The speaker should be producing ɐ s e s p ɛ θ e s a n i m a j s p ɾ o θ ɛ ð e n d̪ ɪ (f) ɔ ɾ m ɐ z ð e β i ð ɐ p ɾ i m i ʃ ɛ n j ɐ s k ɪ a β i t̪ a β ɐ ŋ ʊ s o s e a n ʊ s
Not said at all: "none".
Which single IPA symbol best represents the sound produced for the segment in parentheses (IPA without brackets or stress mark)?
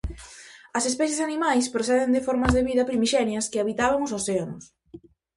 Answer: f